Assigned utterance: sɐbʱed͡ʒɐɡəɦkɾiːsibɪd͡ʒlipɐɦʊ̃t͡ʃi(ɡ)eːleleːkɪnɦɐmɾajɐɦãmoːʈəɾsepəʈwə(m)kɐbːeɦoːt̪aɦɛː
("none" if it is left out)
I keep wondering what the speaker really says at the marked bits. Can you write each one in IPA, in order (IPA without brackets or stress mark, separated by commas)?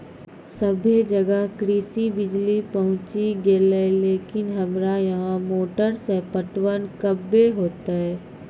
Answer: ɡ, n